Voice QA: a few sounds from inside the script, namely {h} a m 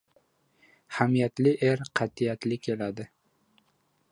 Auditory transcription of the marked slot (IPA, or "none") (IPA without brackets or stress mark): h